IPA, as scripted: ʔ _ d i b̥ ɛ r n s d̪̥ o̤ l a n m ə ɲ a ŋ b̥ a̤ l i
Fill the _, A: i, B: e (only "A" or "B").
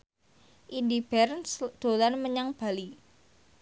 A